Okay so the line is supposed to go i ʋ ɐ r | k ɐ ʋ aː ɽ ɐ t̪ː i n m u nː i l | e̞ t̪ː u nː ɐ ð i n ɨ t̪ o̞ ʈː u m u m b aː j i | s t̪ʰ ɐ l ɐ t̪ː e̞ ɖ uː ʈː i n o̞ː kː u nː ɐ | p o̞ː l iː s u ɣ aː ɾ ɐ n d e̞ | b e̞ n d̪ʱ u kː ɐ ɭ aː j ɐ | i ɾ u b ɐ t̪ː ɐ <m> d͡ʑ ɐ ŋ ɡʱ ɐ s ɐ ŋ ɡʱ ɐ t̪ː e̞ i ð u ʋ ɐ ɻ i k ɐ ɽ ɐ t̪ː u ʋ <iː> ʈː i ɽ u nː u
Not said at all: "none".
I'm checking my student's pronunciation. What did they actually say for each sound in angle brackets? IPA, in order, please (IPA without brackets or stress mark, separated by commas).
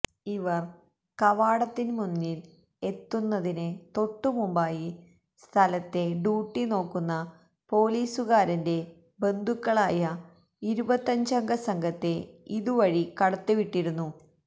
ɲ, i